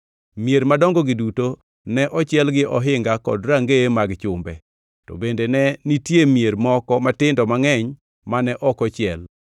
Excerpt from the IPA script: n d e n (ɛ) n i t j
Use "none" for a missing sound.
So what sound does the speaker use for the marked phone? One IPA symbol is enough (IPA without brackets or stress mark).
ɛ